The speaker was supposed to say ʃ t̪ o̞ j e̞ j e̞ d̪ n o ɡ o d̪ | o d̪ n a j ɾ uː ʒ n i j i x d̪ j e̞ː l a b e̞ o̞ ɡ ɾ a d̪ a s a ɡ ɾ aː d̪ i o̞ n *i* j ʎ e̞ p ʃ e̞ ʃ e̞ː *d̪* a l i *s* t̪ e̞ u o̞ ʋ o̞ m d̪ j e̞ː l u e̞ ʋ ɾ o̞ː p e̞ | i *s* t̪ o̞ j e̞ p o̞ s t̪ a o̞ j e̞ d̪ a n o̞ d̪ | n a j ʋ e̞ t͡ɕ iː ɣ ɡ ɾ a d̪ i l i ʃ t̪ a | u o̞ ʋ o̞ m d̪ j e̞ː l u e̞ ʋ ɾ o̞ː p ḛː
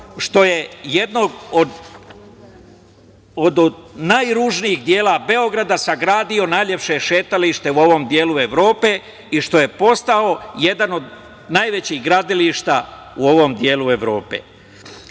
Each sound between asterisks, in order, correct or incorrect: incorrect, incorrect, incorrect, incorrect

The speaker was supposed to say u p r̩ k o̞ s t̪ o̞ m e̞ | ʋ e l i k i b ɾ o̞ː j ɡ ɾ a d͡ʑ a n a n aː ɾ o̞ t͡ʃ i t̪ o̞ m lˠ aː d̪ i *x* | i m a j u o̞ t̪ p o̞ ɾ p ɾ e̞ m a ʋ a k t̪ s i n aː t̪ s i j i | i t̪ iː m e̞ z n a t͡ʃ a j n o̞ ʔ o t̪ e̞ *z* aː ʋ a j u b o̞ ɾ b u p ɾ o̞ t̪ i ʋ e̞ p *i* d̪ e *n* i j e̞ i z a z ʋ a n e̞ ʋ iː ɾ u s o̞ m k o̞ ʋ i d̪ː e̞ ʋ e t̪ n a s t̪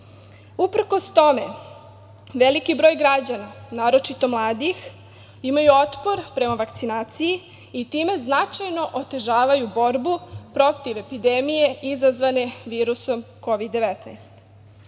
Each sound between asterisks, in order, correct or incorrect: correct, incorrect, correct, incorrect

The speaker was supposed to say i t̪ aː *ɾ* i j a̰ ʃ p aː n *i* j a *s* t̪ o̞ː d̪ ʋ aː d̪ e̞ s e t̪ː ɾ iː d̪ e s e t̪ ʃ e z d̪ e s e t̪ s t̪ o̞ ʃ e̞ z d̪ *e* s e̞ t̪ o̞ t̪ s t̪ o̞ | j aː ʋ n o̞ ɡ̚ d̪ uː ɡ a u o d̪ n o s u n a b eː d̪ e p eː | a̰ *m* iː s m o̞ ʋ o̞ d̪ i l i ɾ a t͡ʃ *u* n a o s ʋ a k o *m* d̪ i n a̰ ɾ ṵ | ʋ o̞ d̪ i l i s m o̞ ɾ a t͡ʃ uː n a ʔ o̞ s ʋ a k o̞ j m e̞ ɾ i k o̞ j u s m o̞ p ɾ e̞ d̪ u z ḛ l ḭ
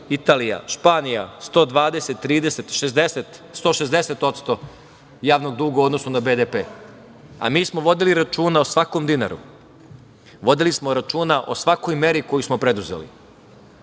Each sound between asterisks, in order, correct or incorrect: incorrect, correct, correct, correct, correct, incorrect, correct

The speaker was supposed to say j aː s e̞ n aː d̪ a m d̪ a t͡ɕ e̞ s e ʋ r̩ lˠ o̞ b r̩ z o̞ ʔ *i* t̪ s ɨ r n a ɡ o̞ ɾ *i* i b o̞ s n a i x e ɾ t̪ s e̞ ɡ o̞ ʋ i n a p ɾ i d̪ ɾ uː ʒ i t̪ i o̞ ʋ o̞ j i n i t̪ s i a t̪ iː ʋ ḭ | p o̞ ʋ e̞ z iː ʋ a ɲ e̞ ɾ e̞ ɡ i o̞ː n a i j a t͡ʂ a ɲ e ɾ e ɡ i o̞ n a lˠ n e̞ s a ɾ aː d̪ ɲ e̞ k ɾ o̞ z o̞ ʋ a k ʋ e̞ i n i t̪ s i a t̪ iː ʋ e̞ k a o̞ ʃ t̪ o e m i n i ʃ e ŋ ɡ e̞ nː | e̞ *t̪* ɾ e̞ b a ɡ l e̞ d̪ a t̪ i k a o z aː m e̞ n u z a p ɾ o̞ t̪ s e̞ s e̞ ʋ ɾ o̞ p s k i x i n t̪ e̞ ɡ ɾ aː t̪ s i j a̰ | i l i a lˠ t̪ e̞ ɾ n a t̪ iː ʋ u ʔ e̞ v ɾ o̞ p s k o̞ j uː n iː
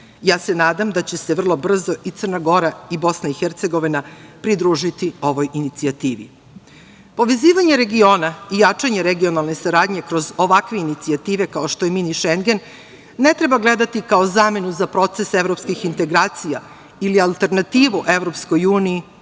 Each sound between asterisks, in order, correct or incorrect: correct, incorrect, correct

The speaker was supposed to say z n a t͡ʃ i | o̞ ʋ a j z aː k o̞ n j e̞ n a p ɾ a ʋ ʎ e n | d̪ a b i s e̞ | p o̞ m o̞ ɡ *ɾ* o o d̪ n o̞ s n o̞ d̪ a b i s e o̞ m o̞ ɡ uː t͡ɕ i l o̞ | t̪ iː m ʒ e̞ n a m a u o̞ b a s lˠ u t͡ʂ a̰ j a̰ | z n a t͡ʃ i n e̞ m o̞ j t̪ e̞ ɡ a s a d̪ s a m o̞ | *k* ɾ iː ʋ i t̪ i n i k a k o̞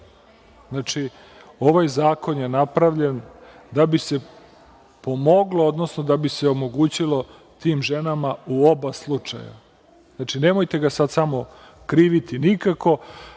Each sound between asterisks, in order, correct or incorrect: incorrect, correct

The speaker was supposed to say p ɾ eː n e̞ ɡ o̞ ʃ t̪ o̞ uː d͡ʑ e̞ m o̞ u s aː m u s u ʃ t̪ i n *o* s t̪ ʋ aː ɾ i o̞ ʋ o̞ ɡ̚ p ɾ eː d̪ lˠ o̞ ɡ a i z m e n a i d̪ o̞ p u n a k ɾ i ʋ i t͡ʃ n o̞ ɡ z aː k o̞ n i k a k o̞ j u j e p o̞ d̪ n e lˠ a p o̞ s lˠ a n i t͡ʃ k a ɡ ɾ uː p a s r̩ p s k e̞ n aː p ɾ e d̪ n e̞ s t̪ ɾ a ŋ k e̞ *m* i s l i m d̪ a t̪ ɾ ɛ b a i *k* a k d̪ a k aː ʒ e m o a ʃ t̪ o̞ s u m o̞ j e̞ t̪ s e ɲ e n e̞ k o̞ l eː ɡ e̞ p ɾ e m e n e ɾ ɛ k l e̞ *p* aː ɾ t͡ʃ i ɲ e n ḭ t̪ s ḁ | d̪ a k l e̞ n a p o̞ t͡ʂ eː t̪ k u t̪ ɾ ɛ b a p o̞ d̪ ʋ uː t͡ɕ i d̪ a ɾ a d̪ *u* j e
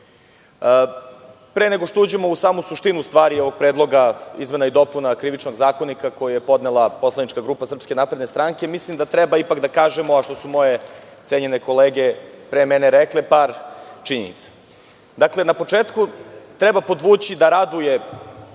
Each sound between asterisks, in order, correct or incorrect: incorrect, correct, incorrect, correct, correct

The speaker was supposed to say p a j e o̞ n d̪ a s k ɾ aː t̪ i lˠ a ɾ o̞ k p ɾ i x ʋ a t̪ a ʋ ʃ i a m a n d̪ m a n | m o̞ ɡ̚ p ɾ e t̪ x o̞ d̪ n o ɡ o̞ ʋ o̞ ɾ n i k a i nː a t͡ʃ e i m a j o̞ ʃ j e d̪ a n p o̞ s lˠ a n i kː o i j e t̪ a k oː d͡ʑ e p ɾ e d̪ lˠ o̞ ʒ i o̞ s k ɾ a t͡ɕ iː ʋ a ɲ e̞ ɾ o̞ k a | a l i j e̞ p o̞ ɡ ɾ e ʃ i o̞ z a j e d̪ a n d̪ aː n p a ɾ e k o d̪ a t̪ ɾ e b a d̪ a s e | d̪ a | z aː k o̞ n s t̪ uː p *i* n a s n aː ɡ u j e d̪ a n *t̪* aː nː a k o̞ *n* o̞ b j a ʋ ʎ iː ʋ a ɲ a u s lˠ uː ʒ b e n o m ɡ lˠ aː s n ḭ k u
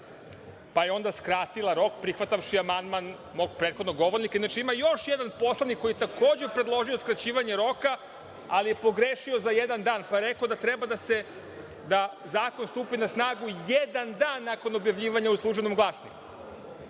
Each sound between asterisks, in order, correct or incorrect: correct, incorrect, correct

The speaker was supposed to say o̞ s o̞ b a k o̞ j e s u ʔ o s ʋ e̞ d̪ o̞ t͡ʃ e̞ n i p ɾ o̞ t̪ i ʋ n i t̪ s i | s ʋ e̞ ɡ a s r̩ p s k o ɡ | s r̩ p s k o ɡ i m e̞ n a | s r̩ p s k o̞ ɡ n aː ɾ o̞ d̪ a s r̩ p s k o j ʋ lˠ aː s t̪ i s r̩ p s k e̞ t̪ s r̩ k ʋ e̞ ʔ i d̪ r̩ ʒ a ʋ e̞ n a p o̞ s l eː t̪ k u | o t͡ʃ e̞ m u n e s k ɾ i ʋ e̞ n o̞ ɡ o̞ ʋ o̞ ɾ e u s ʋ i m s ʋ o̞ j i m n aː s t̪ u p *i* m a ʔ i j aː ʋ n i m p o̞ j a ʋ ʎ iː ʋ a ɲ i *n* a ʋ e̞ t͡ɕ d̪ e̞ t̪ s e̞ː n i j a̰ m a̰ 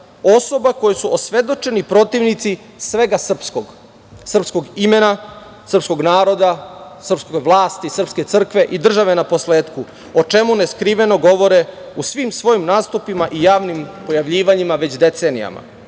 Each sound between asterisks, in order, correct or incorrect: correct, incorrect

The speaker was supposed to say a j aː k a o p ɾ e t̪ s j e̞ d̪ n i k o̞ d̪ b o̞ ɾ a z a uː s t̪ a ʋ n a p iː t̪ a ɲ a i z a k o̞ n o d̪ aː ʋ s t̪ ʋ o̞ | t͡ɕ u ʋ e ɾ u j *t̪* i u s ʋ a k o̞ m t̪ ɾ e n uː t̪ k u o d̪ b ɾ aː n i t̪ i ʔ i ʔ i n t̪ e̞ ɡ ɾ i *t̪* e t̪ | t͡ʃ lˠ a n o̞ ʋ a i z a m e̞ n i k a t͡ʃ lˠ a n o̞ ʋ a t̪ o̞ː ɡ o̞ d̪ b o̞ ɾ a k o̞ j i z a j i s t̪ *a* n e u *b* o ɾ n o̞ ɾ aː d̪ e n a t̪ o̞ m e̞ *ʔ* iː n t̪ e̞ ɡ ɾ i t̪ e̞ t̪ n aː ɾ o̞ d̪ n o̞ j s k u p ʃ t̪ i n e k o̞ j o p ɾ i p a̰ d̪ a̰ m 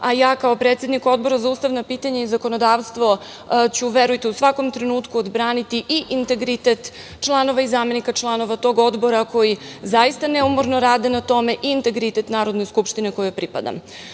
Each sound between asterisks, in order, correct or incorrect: correct, correct, correct, incorrect, correct

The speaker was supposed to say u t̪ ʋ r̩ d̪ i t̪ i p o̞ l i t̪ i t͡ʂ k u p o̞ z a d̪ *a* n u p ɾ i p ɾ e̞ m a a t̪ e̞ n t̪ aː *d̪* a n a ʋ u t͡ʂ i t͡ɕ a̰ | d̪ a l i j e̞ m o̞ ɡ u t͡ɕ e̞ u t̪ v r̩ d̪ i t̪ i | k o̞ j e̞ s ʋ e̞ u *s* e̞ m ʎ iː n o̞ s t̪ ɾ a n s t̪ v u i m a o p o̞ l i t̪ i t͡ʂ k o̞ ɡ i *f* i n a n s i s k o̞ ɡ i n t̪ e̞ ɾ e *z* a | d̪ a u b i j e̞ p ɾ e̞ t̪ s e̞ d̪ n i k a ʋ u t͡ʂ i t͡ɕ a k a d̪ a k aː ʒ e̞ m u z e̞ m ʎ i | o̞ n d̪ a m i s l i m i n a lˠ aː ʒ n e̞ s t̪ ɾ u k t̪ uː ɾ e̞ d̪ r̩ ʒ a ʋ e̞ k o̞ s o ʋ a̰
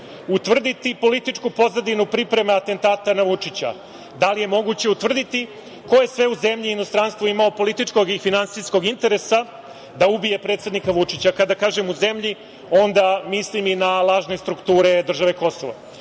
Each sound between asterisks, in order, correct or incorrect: incorrect, incorrect, incorrect, correct, incorrect

